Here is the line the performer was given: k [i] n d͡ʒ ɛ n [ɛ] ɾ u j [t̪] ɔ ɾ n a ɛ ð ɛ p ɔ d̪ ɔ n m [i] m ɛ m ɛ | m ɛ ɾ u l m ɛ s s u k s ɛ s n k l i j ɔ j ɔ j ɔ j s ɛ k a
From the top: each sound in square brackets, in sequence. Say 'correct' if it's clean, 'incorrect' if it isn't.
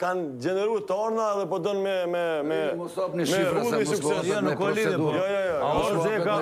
incorrect: a, correct, correct, incorrect: ɛ

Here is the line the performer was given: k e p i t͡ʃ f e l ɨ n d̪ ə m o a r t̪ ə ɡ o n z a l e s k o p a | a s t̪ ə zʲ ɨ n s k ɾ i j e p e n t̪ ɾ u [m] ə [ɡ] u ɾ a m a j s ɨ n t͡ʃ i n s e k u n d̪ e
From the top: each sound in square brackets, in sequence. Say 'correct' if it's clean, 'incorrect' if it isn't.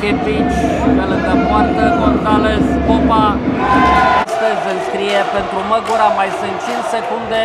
correct, correct

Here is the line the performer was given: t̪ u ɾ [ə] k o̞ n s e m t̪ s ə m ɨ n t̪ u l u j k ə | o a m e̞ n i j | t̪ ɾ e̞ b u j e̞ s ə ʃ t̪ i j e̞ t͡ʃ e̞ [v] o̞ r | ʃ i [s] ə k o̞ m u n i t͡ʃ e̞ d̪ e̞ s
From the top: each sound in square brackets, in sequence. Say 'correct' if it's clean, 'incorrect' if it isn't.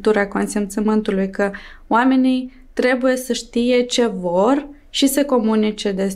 incorrect: a, correct, correct

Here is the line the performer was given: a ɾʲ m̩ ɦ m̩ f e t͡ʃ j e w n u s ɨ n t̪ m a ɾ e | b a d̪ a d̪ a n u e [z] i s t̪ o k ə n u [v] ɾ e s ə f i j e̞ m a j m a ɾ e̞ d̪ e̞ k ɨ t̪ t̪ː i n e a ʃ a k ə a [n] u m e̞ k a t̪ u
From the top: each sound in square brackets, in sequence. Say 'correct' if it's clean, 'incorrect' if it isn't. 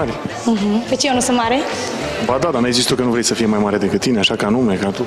correct, correct, correct

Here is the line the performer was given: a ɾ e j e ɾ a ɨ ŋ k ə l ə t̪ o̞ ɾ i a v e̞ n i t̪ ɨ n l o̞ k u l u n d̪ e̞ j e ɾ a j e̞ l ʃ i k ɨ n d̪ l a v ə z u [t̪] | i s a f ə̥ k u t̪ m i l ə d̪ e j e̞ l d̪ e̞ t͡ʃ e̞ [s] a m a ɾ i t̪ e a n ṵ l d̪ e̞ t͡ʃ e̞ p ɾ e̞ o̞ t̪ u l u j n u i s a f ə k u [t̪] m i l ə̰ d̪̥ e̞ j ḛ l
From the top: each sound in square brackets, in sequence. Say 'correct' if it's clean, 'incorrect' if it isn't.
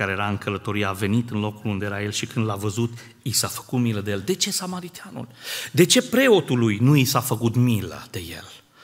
correct, correct, correct

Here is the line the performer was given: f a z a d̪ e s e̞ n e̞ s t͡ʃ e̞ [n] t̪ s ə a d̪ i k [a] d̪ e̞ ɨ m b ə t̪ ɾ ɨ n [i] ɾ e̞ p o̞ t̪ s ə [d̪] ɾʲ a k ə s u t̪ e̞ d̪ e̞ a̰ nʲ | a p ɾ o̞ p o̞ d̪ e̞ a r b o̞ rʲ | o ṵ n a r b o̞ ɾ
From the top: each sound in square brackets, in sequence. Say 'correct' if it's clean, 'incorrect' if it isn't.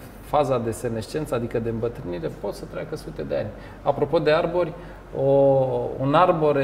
correct, incorrect: ə, correct, incorrect: t̪

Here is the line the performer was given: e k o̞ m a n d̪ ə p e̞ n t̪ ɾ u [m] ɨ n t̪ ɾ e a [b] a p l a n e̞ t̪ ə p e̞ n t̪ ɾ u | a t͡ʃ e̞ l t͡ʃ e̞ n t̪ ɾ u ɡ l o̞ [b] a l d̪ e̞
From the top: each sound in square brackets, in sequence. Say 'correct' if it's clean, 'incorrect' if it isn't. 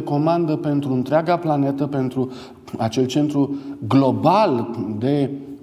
incorrect: none, incorrect: ɡ, correct

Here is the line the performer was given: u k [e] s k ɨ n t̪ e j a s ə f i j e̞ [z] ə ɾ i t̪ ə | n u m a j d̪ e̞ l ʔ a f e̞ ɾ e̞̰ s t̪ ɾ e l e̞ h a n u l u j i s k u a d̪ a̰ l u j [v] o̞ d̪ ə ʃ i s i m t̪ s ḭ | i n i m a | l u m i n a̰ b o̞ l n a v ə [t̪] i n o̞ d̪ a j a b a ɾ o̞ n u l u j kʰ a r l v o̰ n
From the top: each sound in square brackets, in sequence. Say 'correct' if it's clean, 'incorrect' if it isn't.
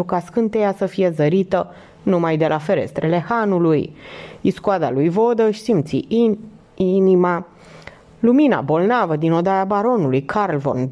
incorrect: a, correct, correct, incorrect: d̪

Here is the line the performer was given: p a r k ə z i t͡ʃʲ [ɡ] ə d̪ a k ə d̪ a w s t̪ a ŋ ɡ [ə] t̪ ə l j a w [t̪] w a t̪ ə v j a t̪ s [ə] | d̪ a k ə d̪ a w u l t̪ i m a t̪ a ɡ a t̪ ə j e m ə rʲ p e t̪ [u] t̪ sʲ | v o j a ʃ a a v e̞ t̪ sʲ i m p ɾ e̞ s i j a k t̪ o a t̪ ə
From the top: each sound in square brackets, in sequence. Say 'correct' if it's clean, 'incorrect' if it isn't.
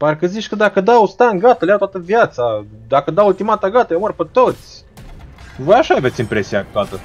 incorrect: k, incorrect: a, correct, incorrect: a, incorrect: o

